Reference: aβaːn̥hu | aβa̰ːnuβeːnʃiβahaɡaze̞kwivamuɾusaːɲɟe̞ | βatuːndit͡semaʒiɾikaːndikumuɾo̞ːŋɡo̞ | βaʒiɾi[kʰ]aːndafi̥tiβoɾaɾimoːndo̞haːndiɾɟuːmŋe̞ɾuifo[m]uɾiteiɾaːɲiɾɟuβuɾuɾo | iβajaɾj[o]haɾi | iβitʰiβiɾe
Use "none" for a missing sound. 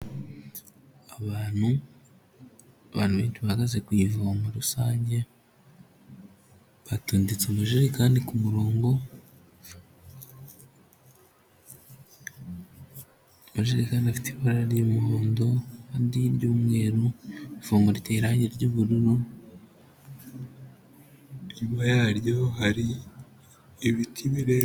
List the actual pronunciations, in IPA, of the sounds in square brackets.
k, m, o

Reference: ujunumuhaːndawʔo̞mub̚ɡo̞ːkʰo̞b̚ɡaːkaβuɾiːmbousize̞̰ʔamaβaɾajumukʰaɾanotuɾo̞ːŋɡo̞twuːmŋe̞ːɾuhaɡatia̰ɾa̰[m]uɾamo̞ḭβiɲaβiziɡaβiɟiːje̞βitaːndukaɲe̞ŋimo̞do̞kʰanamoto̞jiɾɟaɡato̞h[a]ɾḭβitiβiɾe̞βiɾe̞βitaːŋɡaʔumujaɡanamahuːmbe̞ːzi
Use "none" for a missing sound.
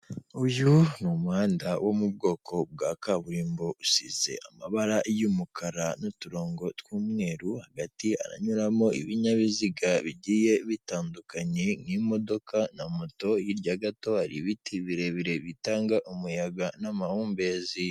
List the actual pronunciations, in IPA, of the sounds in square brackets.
ɲ, a

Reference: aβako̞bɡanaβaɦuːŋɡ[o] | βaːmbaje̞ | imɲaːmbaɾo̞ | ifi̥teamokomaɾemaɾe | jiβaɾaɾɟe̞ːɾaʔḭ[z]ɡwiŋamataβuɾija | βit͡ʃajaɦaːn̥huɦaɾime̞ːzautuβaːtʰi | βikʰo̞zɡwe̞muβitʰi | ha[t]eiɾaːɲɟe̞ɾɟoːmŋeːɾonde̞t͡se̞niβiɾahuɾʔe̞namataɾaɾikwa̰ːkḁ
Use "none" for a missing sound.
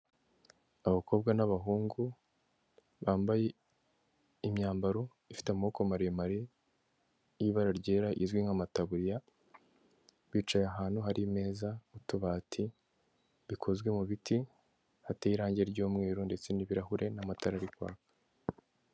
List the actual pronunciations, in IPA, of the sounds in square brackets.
u, z, t

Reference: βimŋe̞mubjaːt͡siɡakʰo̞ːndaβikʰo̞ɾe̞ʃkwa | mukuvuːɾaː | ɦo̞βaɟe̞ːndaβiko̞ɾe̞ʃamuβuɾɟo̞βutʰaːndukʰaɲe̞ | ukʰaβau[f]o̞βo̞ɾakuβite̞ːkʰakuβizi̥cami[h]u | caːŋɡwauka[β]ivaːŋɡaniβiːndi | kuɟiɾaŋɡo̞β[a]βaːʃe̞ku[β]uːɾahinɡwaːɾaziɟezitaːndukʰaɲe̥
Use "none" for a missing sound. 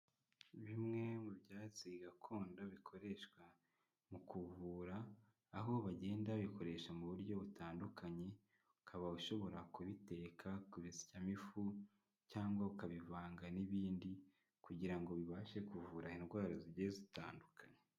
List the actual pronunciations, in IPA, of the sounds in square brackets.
ʃ, f, β, i, v

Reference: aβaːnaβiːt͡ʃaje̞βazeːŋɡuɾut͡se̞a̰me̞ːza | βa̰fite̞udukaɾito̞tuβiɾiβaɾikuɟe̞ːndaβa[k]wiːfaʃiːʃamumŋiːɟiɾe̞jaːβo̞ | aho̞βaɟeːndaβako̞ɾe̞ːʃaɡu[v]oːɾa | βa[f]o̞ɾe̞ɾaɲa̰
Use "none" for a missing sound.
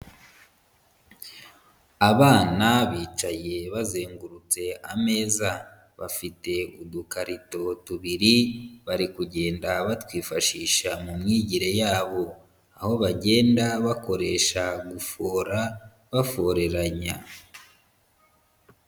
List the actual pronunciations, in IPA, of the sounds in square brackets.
t, f, f

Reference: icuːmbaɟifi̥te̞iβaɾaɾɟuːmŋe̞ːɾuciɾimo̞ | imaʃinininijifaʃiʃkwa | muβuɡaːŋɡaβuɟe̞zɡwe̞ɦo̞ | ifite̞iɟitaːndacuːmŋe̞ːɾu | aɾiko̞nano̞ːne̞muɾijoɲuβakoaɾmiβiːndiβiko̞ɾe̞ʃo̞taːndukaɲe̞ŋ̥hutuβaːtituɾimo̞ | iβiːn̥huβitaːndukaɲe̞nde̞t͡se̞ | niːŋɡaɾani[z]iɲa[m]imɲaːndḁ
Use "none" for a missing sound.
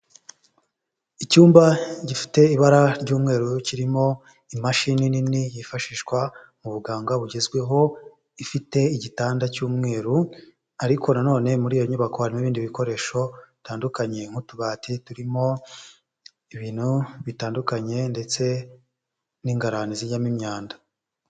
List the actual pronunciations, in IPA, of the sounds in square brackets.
z, m

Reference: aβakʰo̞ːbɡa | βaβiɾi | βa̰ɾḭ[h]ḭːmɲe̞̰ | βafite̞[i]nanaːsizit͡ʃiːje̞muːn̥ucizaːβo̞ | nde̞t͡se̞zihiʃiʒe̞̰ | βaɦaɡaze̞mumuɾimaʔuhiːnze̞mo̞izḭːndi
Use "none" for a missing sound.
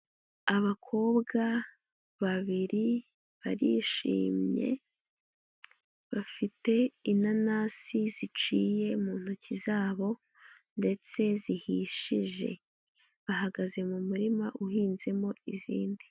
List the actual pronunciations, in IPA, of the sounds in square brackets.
ʃ, i

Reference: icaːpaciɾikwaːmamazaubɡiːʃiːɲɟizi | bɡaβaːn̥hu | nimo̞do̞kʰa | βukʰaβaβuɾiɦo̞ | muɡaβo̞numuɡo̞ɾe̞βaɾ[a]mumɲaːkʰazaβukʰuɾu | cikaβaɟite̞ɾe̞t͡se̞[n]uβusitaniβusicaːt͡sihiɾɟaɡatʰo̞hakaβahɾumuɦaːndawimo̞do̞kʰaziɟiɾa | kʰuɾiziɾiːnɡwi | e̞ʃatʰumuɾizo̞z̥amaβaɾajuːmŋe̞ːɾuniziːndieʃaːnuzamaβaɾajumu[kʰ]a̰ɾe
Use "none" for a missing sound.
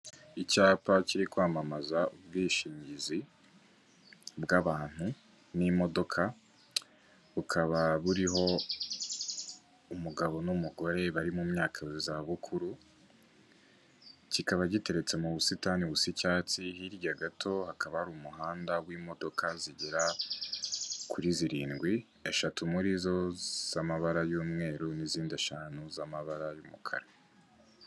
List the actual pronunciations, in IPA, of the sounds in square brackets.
i, m, kʰ

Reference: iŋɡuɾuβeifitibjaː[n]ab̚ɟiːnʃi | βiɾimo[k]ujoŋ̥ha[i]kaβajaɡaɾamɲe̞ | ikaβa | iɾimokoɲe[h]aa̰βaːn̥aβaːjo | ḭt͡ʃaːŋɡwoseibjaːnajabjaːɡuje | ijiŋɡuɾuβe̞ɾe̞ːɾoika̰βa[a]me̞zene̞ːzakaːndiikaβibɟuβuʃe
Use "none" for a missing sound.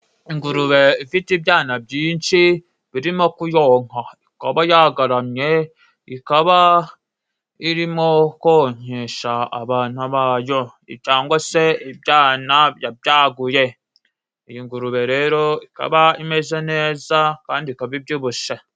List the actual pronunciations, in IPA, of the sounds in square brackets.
n, k, i, ʃ, i

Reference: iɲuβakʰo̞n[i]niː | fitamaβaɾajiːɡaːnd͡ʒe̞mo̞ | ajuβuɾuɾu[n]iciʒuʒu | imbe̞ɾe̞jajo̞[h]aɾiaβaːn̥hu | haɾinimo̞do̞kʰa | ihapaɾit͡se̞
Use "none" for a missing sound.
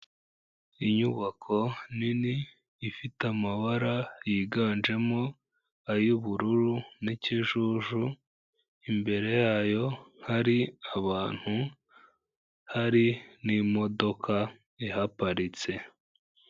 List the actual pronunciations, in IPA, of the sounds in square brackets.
i, n, h

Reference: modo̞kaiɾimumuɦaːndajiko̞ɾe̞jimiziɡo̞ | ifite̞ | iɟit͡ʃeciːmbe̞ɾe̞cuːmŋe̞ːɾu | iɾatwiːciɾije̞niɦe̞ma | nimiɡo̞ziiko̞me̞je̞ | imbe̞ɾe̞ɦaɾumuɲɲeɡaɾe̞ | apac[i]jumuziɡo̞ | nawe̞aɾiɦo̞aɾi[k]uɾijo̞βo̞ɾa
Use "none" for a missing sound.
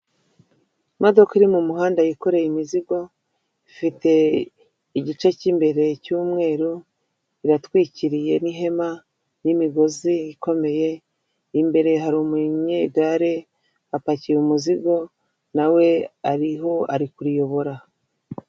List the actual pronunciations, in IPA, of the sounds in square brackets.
i, k

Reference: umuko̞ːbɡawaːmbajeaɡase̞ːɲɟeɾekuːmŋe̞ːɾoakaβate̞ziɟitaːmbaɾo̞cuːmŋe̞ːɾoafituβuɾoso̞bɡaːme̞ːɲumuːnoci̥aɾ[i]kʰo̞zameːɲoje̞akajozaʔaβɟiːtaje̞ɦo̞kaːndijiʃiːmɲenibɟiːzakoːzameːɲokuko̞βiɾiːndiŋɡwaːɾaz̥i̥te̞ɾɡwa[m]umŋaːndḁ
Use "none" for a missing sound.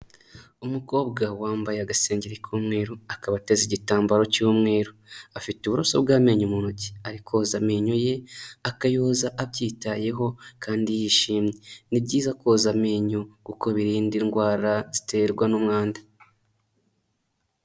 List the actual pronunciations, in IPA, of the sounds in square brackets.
i, n

